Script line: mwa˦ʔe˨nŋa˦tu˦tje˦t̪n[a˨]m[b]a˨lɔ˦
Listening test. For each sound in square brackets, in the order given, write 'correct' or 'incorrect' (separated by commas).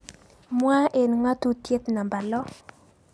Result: correct, correct